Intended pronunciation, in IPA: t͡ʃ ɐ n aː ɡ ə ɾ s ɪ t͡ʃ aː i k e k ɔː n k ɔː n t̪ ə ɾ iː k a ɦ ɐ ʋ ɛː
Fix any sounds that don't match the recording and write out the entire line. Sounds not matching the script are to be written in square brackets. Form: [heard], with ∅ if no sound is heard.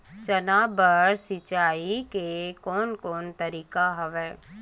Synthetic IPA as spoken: t͡ʃ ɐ n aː [b] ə ɾ s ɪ t͡ʃ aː i k e k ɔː n k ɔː n t̪ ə ɾ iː k a ɦ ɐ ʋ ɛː